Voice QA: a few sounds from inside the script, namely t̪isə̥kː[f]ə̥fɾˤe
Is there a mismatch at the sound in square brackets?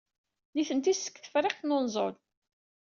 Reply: yes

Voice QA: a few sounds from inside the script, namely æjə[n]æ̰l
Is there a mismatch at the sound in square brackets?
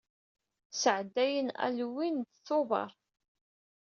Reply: no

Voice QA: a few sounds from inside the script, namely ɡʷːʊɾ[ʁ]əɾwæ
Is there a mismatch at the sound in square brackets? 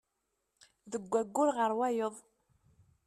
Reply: no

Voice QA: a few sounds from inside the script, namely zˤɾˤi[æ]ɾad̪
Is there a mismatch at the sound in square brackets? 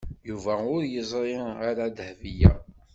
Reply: yes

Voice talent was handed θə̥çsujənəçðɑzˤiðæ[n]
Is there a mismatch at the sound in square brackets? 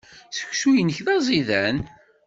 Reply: no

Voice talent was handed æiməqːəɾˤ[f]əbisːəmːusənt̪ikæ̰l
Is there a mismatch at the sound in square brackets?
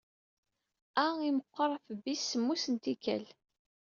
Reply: no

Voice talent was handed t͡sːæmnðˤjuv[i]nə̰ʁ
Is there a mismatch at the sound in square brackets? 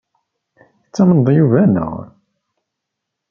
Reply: yes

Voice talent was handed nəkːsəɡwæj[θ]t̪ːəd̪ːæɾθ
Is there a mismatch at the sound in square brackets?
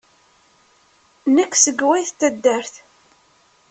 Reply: no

